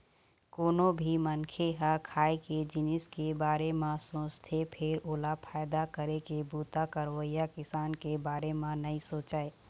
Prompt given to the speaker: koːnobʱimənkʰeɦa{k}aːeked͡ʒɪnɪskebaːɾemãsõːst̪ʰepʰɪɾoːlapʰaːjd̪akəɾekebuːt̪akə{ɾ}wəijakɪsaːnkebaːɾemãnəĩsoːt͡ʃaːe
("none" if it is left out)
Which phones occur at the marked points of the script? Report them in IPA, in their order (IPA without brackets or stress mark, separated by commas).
kʰ, ɾ